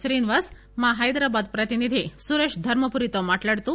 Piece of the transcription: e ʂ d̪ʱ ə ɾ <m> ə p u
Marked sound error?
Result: no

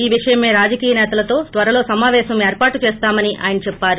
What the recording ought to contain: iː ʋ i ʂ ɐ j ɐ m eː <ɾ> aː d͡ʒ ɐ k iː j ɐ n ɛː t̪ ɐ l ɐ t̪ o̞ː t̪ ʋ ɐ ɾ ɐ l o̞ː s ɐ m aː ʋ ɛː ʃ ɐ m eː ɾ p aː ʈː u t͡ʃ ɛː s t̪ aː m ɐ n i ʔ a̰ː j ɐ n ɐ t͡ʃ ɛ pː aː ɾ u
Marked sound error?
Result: no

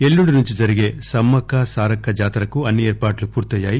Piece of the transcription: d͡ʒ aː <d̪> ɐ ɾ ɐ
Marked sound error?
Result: yes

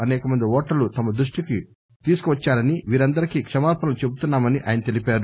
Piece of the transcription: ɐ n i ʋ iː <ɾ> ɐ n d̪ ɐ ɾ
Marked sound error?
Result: no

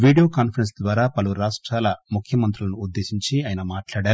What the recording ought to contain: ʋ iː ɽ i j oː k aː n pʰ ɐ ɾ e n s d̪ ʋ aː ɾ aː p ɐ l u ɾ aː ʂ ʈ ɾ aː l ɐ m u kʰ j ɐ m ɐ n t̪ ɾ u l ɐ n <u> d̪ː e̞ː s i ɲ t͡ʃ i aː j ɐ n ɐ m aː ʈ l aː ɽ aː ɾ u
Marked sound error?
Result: yes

